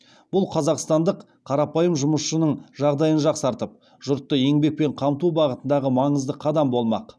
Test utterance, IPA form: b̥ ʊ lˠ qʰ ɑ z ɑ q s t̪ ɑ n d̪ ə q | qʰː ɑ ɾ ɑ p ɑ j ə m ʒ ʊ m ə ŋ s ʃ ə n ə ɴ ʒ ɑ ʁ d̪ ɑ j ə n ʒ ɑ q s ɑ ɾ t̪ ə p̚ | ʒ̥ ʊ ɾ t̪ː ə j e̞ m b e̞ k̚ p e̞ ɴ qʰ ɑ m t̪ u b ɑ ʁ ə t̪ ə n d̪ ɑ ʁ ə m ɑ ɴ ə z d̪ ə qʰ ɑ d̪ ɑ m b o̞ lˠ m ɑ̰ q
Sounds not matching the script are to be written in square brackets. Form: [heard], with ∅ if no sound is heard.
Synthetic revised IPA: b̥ ʊ lˠ qʰ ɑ z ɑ q s t̪ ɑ n d̪ ə q | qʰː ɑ ɾ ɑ p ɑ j ə m ʒ ʊ m ə [∅] s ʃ ə n ə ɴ ʒ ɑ ʁ d̪ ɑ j ə n ʒ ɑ q s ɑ ɾ t̪ ə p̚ | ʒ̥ ʊ ɾ t̪ː ə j e̞ [ŋ] b e̞ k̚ p e̞ ɴ qʰ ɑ m t̪ u b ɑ ʁ ə t̪ ə n d̪ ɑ ʁ ə m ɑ ɴ ə z d̪ ə qʰ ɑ d̪ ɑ m b o̞ lˠ m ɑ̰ q

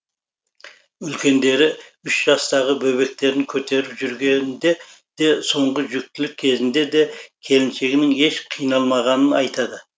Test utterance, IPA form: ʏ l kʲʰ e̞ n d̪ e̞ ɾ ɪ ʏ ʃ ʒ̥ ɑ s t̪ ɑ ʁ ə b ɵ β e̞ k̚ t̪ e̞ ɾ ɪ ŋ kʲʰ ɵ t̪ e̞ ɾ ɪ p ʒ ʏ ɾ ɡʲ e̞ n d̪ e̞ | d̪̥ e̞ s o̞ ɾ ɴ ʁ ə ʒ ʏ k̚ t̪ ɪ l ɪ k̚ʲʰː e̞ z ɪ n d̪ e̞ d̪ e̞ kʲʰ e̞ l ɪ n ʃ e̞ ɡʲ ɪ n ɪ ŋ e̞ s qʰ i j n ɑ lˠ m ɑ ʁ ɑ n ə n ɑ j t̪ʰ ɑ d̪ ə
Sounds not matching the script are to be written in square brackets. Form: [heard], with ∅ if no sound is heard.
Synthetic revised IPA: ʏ l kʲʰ e̞ n d̪ e̞ ɾ ɪ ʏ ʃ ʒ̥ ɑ s t̪ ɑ ʁ ə b ɵ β e̞ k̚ t̪ e̞ ɾ ɪ ŋ kʲʰ ɵ t̪ e̞ ɾ ɪ p ʒ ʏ ɾ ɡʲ e̞ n d̪ e̞ | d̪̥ e̞ s o̞ [∅] ɴ ʁ ə ʒ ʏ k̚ t̪ ɪ l ɪ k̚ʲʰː e̞ z ɪ n d̪ e̞ d̪ e̞ kʲʰ e̞ l ɪ n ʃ e̞ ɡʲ ɪ n ɪ ŋ e̞ [ʃ] qʰ i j n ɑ lˠ m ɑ ʁ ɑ n ə n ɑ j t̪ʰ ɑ d̪ ə

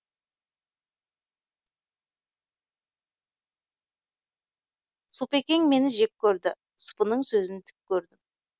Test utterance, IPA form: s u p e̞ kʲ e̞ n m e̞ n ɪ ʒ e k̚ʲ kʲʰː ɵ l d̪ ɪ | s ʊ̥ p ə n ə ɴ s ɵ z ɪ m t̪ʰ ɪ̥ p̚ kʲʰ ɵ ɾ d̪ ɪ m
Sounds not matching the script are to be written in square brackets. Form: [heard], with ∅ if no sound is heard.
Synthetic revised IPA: s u p e̞ kʲ e̞ [ŋ] m e̞ n ɪ ʒ e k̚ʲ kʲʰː ɵ [ɾ] d̪ ɪ | s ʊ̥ p ə n ə ɴ s ɵ z ɪ [n] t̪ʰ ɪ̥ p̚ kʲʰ ɵ ɾ d̪ ɪ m

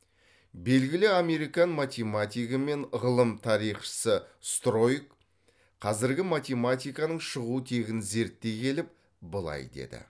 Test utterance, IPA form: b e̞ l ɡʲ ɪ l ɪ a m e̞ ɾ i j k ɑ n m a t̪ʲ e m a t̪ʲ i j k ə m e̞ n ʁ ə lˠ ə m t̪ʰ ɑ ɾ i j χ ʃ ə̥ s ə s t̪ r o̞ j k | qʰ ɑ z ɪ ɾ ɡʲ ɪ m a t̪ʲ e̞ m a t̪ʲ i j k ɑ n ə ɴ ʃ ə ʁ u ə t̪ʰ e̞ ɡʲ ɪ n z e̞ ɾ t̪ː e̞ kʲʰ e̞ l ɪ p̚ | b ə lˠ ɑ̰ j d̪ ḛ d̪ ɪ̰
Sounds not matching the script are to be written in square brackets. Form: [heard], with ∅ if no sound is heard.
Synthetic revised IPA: b e̞ l ɡʲ ɪ l ɪ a m e̞ ɾ i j k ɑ n m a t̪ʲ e m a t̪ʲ i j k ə m e̞ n ʁ ə lˠ ə m t̪ʰ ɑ ɾ i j χ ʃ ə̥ s ə s t̪ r o̞ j k | qʰ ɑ z ɪ ɾ ɡʲ ɪ m a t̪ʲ e̞ m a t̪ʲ i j k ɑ n ə ɴ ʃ ə ʁ u ə t̪ʰ e̞ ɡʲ ɪ n z e̞ ɾ t̪ː e̞ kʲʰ e̞ l ɪ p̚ | b ə lˠ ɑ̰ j d̪ ḛ d̪ ɪ̰

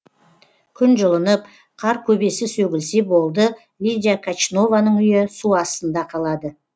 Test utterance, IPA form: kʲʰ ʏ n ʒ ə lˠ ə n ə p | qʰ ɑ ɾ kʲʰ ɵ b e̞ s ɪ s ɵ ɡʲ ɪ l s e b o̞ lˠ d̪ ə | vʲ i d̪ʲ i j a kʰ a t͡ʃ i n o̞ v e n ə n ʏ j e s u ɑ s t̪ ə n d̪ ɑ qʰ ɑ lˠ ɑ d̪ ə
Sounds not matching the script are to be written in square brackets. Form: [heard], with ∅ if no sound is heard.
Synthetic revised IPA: kʲʰ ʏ n ʒ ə lˠ ə n ə p | qʰ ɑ ɾ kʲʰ ɵ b e̞ s ɪ s ɵ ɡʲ ɪ l s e b o̞ lˠ d̪ ə | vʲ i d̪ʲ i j a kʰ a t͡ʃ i n o̞ v [a] n ə [ɴ] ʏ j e s u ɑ s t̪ ə n d̪ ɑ qʰ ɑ lˠ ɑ d̪ ə

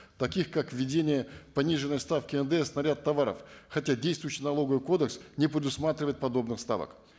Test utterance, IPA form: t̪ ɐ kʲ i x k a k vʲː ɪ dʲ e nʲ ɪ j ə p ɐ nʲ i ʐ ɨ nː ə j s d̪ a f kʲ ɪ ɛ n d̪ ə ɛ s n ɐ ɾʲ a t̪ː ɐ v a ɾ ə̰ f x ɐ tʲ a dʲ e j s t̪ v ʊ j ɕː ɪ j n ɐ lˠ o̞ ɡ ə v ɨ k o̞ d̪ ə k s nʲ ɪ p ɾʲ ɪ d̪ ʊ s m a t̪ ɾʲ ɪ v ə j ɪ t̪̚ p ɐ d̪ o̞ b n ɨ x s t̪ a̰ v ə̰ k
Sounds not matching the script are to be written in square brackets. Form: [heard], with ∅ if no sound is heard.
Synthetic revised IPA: t̪ ɐ kʲ i x k a k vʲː ɪ dʲ e nʲ ɪ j ə p ɐ nʲ i ʐ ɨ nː ə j s [t̪] a f kʲ ɪ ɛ n d̪ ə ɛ s n ɐ ɾʲ a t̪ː ɐ v a ɾ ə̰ f x ɐ tʲ a dʲ e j s t̪ v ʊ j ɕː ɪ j n ɐ lˠ o̞ ɡ ə v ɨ k o̞ d̪ ə k s nʲ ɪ p ɾʲ ɪ d̪ ʊ s m a t̪ ɾʲ ɪ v ə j ɪ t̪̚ p ɐ d̪ o̞ b n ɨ x s t̪ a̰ v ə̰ k

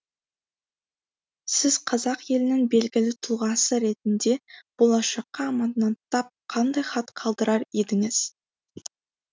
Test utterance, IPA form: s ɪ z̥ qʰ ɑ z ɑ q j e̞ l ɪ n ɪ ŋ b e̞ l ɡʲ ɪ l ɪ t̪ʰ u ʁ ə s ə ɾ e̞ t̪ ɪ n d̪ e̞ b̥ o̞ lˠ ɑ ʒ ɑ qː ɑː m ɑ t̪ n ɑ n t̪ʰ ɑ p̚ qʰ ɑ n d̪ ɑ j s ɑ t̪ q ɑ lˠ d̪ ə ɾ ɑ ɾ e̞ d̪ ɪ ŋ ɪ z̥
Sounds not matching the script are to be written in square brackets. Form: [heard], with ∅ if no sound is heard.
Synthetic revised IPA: s ɪ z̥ qʰ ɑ z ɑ q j e̞ l ɪ n ɪ ŋ b e̞ l ɡʲ ɪ l ɪ t̪ʰ u ʁ [ɑ] s ə ɾ e̞ t̪ ɪ n d̪ e̞ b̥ o̞ lˠ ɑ [ʃ] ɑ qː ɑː m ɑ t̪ n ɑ n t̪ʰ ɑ p̚ qʰ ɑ n d̪ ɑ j [χ] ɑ t̪ [qʰ] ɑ lˠ d̪ ə ɾ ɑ ɾ e̞ d̪ ɪ ŋ ɪ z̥

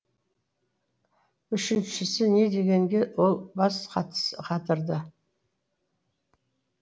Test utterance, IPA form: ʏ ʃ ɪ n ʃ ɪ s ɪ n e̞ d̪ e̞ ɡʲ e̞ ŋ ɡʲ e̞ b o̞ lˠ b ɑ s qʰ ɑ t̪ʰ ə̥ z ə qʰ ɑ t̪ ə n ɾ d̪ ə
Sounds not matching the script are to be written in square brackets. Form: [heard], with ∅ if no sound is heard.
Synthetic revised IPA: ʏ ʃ ɪ n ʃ ɪ s ɪ n e̞ d̪ e̞ ɡʲ e̞ ŋ ɡʲ e̞ [w] o̞ lˠ b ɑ s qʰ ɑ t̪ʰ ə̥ [s] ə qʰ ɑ t̪ ə [∅] ɾ d̪ ə

